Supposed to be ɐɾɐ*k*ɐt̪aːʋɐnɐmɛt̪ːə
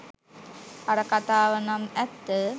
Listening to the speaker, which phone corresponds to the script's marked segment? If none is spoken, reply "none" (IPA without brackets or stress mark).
k